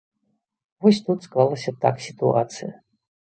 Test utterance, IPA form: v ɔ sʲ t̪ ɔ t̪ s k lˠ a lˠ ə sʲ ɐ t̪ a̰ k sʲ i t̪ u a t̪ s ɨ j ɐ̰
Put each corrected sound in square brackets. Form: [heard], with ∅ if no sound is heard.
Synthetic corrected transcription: v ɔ sʲ t̪ [u] t̪ s k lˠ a lˠ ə sʲ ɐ t̪ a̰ k sʲ i t̪ u a t̪ s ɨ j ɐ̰

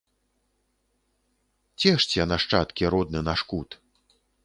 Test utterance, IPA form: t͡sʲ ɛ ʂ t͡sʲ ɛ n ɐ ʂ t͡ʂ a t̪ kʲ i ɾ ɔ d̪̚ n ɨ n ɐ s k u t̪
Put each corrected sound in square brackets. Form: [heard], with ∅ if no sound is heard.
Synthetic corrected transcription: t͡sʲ ɛ ʂ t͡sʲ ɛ n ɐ ʂ t͡ʂ a t̪ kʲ i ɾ ɔ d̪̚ n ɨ n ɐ [ʂ] k u t̪

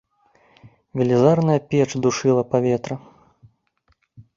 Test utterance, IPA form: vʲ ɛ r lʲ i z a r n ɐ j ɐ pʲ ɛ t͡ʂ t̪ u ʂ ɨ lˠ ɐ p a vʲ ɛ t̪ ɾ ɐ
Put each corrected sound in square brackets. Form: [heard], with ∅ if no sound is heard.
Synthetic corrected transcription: vʲ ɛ [∅] lʲ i z a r n ɐ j ɐ pʲ ɛ t͡ʂ [d̪] u ʂ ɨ lˠ ɐ p a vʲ ɛ t̪ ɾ ɐ

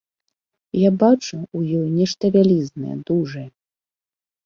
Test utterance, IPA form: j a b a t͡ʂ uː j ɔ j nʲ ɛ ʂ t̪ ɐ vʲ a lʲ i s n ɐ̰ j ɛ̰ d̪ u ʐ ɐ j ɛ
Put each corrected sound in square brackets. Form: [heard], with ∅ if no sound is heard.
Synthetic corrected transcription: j a b a t͡ʂ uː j ɔ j nʲ ɛ ʂ t̪ ɐ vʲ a lʲ i [z] n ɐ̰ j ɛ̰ d̪ u ʐ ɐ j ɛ

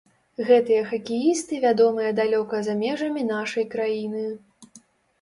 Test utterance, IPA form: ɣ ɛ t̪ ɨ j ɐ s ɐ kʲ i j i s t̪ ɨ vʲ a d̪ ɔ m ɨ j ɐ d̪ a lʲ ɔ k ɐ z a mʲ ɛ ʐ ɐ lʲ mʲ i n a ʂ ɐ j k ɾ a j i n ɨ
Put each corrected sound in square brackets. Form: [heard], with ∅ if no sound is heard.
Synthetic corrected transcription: ɣ ɛ t̪ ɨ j ɐ [x] ɐ kʲ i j i s t̪ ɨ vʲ a d̪ ɔ m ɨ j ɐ d̪ a lʲ ɔ k ɐ z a mʲ ɛ ʐ ɐ [∅] mʲ i n a ʂ ɐ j k ɾ a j i n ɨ

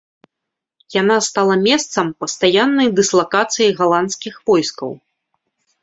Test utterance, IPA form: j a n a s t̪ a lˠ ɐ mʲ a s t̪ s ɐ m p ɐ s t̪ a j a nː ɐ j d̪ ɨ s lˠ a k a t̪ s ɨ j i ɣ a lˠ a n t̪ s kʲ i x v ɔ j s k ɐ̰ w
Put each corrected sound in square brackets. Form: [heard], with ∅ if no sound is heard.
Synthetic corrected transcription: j a n a s t̪ a lˠ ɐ mʲ [ɛ] s t̪ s ɐ m p ɐ s t̪ a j a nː ɐ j d̪ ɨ s lˠ a k a t̪ s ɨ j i ɣ a lˠ a n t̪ s kʲ i x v ɔ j s k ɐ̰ w

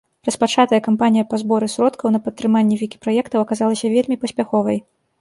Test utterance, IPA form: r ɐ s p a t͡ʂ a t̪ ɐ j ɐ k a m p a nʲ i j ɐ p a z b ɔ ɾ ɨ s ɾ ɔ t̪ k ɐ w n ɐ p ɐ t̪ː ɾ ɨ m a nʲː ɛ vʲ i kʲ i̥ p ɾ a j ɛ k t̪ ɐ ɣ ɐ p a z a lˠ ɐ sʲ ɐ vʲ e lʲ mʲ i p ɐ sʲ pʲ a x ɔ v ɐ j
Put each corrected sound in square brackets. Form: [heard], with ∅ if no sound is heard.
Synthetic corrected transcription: r ɐ s p a t͡ʂ a t̪ ɐ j ɐ k a m p a nʲ i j ɐ p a z b ɔ ɾ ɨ s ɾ ɔ t̪ k ɐ w n ɐ p ɐ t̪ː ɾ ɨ m a nʲː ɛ vʲ i kʲ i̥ p ɾ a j ɛ k t̪ ɐ [w] ɐ [k] a z a lˠ ɐ sʲ ɐ vʲ e lʲ mʲ i p ɐ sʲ pʲ a x ɔ v ɐ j

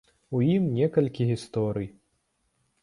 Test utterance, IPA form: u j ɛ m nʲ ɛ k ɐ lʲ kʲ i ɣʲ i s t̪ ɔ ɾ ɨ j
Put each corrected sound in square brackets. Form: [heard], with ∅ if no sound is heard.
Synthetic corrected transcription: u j [i] m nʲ ɛ k ɐ lʲ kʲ i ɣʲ i s t̪ ɔ ɾ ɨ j

